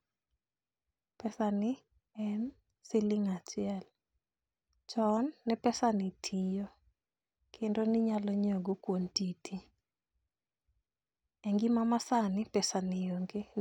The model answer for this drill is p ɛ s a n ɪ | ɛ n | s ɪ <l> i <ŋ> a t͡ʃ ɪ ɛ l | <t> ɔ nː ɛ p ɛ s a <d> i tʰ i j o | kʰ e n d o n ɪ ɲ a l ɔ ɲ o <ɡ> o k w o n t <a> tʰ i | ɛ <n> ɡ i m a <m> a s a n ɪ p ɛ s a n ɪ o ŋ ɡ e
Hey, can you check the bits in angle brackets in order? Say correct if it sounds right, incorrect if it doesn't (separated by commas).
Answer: correct, correct, incorrect, incorrect, correct, incorrect, incorrect, correct